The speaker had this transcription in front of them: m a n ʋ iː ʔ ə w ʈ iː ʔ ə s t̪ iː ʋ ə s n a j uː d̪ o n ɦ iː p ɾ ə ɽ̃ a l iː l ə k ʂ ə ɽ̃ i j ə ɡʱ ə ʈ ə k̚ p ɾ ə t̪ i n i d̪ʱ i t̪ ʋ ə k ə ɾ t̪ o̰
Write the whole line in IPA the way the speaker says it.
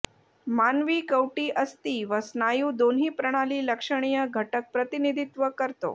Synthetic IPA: m a n ʋ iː k ə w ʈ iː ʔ ə s t̪ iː ʋ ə s n a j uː d̪ o n ɦ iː p ɾ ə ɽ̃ a l iː l ə k ʂ ə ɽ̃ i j ə ɡʱ ə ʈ ə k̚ p ɾ ə t̪ i n i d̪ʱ i t̪ ʋ ə k ə ɾ t̪ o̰